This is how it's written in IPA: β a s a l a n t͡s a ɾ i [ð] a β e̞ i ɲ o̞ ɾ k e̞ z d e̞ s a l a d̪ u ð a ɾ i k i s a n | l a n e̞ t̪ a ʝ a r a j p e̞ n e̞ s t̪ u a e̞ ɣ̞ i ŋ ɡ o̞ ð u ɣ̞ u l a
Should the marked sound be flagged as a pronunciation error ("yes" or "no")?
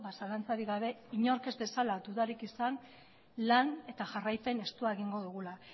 yes